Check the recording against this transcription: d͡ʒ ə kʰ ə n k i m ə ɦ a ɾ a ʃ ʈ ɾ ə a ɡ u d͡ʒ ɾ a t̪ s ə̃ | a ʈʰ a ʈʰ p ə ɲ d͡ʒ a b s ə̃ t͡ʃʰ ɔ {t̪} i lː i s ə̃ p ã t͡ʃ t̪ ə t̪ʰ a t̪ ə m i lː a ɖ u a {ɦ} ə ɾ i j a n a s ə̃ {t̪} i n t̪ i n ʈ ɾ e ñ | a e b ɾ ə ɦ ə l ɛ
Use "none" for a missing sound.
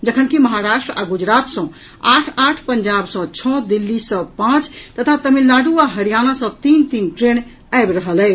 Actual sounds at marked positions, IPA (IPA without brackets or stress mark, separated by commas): d̪, ɦ, t̪